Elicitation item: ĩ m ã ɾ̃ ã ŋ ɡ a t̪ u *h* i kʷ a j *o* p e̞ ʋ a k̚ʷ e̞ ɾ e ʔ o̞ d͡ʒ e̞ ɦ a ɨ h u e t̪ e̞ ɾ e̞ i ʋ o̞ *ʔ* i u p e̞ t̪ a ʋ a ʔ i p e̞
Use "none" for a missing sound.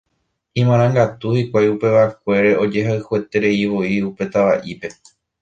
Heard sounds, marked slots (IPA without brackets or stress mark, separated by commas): h, u, none